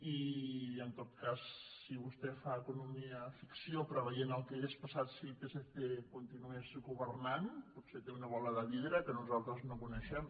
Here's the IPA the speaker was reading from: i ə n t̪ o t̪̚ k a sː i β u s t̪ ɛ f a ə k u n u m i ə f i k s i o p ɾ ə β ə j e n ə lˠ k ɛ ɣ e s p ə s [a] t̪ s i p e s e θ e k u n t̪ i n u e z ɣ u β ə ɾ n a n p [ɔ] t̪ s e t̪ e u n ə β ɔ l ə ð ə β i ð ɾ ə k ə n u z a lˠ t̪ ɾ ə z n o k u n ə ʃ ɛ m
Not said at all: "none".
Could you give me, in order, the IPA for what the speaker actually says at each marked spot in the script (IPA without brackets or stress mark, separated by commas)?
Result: a, u